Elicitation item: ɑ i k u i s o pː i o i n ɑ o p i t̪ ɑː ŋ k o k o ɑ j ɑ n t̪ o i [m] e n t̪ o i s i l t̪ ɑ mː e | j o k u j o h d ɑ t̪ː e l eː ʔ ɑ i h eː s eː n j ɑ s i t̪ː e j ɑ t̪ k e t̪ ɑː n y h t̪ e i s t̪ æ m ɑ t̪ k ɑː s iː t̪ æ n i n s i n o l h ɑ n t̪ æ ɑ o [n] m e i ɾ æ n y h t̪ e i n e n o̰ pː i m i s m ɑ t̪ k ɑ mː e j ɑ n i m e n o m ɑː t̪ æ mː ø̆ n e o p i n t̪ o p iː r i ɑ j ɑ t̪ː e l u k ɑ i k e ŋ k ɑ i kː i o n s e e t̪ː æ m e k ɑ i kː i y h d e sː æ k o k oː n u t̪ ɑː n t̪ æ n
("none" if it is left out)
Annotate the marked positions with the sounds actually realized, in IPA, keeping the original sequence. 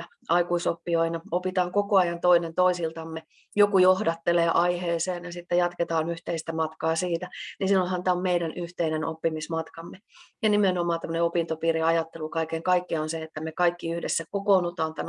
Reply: n, m

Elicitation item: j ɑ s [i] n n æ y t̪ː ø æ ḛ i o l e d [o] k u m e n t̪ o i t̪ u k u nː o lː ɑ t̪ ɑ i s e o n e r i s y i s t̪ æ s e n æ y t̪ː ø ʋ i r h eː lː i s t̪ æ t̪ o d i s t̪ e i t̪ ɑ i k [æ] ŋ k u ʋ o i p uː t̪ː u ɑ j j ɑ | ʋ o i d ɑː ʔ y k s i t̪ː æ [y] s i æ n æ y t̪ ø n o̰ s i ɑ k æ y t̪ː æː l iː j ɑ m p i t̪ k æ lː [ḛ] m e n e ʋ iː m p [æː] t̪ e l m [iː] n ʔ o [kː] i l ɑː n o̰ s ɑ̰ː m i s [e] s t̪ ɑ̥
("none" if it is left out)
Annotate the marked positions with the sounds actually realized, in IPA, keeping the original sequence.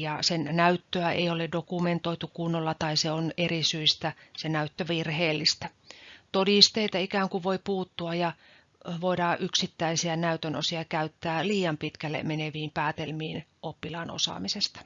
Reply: e, o, æː, i, ḛ, æː, iː, pː, e

